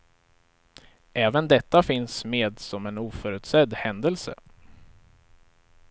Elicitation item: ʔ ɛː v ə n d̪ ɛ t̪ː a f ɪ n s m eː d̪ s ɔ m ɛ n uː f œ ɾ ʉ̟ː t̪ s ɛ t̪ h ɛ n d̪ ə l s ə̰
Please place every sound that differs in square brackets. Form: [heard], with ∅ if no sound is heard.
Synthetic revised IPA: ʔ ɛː v ə n d̪ ɛ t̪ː a f ɪ n s m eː d̪ s ɔ m ɛ n uː f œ ɾ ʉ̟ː t̪ s ɛ [d̪] h ɛ n d̪ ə l s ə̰